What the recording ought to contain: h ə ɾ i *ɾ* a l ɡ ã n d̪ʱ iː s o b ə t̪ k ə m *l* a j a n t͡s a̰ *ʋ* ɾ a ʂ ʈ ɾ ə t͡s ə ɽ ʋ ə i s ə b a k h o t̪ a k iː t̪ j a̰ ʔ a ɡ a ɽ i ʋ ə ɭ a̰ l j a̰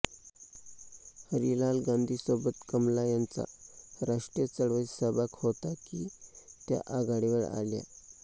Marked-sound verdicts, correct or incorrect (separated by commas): incorrect, correct, incorrect